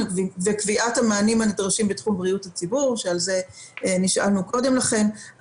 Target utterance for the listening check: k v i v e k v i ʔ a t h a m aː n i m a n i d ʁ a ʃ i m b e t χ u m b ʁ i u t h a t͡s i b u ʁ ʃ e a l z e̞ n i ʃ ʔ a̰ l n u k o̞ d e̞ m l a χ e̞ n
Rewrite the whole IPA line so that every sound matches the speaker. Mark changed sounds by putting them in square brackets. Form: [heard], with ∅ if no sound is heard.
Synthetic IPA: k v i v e k v i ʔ a t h a m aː n i m a n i d ʁ a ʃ i m b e t χ u m b ʁ i u t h a t͡s i b u ʁ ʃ e a l z e̞ n i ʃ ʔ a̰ l n u k o̞ d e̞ m l a χ e̞ n